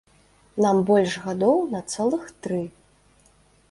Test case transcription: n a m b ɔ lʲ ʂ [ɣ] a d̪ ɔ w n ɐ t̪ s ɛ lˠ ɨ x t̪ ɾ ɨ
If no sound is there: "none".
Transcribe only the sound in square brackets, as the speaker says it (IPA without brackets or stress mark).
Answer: ɣ